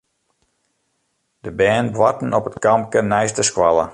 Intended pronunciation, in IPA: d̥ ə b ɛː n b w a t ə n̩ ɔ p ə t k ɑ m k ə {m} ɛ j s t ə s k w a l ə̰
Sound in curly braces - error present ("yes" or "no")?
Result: yes